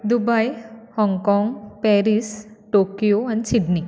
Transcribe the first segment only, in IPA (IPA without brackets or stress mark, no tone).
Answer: d̪